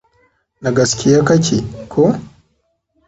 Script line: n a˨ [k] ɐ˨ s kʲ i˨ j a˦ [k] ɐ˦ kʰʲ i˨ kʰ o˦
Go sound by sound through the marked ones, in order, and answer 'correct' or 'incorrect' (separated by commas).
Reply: incorrect, correct